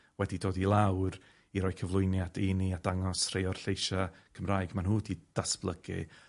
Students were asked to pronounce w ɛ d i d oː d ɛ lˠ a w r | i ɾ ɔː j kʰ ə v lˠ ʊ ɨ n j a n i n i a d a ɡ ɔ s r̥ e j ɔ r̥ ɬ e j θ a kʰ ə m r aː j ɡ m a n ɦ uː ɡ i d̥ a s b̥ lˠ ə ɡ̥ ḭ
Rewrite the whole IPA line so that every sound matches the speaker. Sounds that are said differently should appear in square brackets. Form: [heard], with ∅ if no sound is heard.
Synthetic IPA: w ɛ d i d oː d [i] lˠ a w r | i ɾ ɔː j kʰ ə v lˠ ʊ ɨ n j a [d] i n i a d a [ŋ] ɔ s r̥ e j ɔ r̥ ɬ e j [ʃ] a kʰ ə m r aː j ɡ m a n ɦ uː [d] i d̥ a s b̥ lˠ ə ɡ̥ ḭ